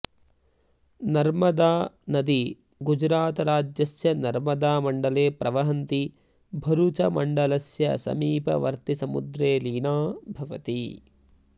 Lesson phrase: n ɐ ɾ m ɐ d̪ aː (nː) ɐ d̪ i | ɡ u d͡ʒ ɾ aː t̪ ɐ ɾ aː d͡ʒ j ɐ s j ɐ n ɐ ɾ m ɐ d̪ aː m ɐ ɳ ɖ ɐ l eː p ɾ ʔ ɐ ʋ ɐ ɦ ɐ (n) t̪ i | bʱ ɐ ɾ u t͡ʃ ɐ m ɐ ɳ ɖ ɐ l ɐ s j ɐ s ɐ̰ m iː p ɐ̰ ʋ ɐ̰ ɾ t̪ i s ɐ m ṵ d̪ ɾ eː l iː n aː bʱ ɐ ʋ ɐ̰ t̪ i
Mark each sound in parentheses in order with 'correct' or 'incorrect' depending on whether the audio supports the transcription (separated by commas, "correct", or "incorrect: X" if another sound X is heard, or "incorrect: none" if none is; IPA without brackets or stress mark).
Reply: incorrect: n, correct